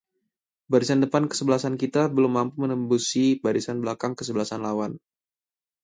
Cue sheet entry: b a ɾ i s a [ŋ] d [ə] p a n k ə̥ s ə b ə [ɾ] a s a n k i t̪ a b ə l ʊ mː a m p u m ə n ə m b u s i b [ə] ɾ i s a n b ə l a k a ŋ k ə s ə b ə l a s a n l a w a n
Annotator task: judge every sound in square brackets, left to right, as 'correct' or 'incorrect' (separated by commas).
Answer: incorrect, correct, incorrect, incorrect